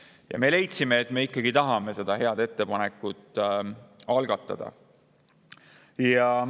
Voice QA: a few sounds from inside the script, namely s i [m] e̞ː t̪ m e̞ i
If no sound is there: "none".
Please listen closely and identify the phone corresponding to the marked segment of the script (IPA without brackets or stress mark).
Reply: m